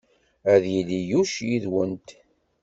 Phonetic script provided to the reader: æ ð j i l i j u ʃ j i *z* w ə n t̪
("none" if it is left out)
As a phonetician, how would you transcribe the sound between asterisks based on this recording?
ð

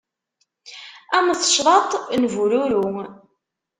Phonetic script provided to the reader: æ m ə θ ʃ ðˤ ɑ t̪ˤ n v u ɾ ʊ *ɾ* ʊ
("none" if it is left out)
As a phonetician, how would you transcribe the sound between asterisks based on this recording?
ɾ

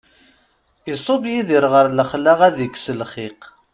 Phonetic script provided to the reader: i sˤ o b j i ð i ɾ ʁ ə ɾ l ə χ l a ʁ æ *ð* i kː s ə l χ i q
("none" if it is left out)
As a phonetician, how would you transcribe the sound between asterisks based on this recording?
ð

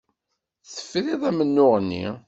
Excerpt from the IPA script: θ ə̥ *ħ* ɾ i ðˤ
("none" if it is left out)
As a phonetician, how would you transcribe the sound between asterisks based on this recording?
f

